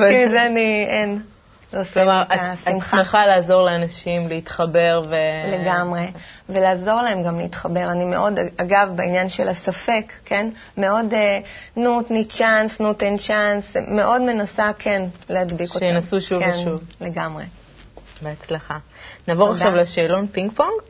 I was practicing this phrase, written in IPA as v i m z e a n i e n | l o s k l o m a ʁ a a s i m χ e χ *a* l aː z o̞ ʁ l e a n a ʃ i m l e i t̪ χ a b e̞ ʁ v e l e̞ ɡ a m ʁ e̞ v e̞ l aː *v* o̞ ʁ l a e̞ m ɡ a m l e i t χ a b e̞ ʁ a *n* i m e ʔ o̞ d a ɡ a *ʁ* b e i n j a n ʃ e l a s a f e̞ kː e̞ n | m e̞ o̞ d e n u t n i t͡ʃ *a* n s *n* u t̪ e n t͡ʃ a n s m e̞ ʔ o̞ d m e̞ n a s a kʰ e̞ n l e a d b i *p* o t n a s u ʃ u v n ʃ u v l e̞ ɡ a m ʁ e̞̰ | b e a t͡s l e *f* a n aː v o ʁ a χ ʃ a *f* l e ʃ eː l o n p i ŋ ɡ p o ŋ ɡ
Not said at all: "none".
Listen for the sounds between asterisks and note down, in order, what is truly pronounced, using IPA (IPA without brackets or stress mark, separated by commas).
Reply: a, z, n, v, a, n, k, χ, v